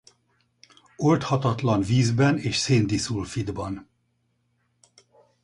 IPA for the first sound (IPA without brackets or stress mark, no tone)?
o